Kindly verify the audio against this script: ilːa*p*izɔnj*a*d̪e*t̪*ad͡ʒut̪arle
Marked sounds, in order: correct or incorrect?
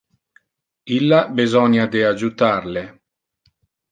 incorrect, correct, incorrect

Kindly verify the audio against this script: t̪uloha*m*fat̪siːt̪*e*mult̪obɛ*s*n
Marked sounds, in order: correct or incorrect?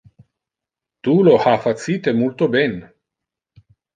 incorrect, correct, incorrect

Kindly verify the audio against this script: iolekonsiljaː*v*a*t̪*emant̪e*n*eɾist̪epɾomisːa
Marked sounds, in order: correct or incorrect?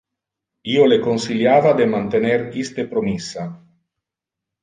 correct, incorrect, correct

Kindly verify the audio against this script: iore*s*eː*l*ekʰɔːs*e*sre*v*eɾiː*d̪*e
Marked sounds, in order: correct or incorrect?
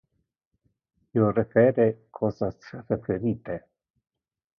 incorrect, incorrect, incorrect, incorrect, incorrect

